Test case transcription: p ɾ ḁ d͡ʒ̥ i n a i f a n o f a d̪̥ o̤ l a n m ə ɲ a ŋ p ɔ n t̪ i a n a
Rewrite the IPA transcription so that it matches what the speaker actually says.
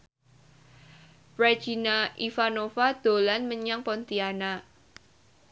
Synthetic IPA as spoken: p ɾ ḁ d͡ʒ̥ i n a i f a n o f a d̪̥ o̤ l a n m ə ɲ a ŋ p ɔ n t̪ i a n a